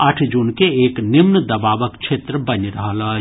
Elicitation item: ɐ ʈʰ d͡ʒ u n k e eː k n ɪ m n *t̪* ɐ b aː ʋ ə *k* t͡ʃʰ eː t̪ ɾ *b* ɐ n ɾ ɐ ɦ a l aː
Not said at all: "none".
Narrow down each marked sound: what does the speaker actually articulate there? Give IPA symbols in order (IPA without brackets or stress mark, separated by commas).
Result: d̪, k, b